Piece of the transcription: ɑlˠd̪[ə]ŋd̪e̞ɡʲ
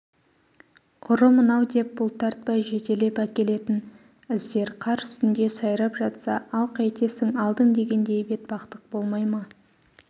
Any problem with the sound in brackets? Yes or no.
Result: no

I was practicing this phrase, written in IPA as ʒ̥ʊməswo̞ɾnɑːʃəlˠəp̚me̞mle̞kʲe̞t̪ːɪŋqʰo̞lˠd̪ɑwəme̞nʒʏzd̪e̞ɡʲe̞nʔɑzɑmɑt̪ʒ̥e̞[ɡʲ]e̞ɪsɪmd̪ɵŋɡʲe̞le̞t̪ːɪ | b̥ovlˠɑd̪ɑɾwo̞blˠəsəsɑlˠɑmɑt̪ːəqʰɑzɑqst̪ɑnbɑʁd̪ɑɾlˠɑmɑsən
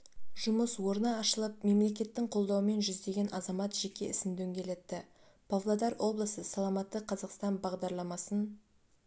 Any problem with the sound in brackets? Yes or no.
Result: yes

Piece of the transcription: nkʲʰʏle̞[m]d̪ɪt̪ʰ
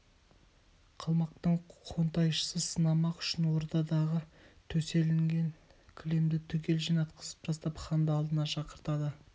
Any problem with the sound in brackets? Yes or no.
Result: no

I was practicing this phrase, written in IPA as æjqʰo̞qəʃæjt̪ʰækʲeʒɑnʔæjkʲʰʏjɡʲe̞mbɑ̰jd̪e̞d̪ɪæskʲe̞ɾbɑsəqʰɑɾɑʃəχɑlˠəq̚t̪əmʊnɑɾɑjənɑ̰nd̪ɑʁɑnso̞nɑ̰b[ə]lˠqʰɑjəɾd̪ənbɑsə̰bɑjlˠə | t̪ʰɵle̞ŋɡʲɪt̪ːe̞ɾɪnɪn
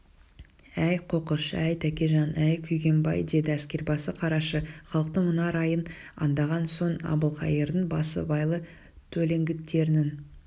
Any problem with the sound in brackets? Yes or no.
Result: no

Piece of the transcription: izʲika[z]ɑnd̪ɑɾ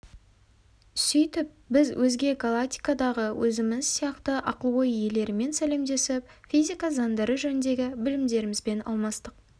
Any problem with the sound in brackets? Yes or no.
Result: no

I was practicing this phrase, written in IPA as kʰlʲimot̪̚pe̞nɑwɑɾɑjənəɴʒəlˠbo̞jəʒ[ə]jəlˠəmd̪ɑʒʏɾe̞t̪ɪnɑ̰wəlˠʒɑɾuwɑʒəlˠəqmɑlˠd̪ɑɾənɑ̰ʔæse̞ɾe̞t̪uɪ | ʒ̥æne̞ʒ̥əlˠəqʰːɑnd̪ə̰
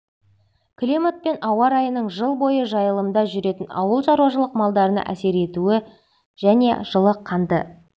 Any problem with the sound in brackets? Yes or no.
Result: yes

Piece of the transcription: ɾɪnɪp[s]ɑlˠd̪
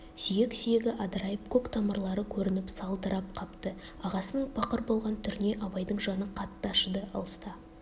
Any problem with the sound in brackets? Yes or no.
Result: no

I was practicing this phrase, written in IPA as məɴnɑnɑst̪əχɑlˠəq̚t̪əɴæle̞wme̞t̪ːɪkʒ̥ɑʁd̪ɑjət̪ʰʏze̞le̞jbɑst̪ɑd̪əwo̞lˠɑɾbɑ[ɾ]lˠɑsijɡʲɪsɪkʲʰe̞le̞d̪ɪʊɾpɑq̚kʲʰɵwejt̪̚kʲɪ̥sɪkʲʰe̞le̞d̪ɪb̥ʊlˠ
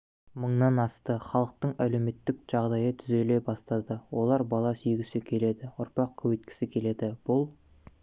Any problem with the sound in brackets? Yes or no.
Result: yes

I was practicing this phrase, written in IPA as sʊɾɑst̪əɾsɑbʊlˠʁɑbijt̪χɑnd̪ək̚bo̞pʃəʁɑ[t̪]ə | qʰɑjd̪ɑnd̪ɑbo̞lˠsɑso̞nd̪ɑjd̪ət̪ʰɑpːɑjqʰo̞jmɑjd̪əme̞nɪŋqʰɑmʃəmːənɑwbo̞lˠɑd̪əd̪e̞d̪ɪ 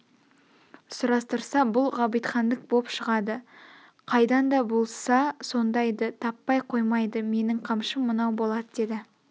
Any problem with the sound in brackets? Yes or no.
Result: yes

